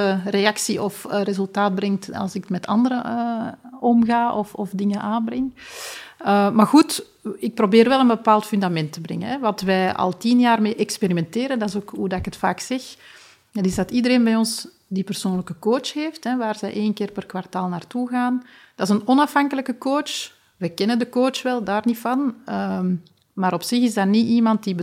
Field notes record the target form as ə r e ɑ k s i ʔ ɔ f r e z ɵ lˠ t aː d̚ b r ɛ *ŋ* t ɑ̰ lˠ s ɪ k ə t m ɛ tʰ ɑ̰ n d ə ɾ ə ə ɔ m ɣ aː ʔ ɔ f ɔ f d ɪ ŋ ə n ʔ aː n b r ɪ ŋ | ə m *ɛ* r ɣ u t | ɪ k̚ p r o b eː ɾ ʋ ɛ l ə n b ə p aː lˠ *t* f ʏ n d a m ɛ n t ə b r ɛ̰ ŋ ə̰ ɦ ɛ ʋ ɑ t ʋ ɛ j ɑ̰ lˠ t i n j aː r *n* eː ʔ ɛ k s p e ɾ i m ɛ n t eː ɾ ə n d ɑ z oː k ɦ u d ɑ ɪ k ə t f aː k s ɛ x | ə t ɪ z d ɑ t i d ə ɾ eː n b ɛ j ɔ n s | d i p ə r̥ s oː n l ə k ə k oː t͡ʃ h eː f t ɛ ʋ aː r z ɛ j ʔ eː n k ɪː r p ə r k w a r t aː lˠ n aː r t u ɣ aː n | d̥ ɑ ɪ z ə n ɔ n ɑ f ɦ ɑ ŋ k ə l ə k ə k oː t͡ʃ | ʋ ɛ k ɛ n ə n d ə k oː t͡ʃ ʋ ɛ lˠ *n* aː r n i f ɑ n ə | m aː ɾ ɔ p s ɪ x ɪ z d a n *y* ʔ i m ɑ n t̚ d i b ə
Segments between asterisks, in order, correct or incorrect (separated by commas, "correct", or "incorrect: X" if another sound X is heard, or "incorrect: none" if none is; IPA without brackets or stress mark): correct, incorrect: a, correct, incorrect: m, incorrect: d, incorrect: i